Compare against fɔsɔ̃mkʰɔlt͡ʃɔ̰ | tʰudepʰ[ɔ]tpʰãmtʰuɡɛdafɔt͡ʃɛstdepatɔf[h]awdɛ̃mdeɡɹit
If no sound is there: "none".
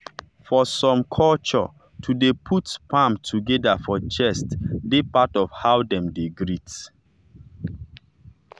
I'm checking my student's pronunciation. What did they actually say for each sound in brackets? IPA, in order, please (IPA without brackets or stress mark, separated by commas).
u, h